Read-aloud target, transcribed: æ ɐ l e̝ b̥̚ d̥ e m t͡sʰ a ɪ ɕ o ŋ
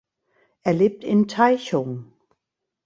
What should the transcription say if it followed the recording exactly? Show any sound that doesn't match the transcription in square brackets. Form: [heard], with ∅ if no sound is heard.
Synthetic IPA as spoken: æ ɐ l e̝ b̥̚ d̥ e [n] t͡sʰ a ɪ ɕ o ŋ